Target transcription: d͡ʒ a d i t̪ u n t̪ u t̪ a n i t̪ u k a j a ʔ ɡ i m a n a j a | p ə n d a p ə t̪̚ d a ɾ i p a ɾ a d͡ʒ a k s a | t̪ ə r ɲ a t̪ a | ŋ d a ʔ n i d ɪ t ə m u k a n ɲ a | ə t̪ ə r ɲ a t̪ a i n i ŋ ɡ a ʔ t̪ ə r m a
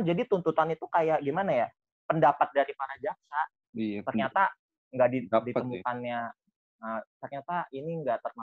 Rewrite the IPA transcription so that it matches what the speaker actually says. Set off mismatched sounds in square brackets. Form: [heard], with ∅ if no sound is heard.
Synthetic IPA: d͡ʒ a d i t̪ u n t̪ u t̪ a n i t̪ u k a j a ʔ ɡ i m a n a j a | p ə n d a p [a] t̪̚ d a ɾ i p a ɾ a d͡ʒ a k s a | t̪ ə r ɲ a t̪ a | ŋ [ɡ] a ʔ [d] i d [i] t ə m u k a n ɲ a | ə t̪ ə r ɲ a t̪ a i n i ŋ ɡ a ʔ t̪ ə r m a